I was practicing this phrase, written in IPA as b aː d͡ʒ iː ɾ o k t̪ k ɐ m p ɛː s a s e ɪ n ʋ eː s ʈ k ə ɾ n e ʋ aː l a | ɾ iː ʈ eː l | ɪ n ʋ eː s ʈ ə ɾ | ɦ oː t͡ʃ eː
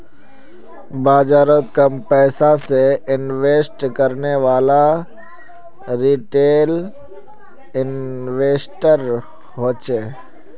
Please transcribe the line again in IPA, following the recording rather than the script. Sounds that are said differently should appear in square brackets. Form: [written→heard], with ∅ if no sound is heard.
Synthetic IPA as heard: b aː d͡ʒ [iː→aː] ɾ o [k→∅] t̪ k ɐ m p ɛː s a s e ɪ n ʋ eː s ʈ k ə ɾ n e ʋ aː l a | ɾ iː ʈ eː l | ɪ n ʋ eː s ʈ ə ɾ | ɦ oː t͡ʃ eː